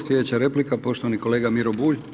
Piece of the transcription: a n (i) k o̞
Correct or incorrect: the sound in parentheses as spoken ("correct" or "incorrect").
correct